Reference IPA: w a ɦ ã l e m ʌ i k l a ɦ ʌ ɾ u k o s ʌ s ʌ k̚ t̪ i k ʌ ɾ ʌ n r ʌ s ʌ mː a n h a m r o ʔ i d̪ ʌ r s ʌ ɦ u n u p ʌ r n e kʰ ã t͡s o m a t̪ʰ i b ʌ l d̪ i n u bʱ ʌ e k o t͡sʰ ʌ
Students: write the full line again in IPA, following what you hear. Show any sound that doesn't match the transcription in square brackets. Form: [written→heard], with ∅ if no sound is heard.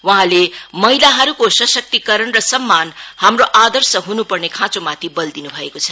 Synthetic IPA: w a ɦ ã l e m ʌ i [k→∅] l a ɦ ʌ ɾ u k o s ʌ s ʌ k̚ t̪ i k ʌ ɾ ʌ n r ʌ s ʌ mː a n h a m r o ʔ [i→a] d̪ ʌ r s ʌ ɦ u n u p ʌ r n e kʰ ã t͡s o m a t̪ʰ i b ʌ l d̪ i n u bʱ ʌ e k o t͡sʰ ʌ